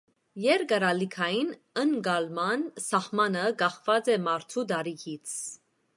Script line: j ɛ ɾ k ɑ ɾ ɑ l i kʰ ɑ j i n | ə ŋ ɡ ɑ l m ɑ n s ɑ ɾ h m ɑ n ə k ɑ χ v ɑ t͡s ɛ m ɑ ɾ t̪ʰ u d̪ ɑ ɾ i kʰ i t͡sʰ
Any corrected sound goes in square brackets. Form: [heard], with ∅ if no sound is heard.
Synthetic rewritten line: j ɛ ɾ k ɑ ɾ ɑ l i kʰ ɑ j i n | ə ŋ ɡ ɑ l m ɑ n s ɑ [∅] h m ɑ n ə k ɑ χ v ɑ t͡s ɛ m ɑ ɾ t̪ʰ u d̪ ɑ ɾ i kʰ i t͡sʰ